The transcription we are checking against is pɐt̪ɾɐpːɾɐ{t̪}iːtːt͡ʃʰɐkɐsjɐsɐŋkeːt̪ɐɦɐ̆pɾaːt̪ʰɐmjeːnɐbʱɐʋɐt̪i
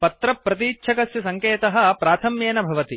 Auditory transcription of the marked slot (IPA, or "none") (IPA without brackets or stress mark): t̪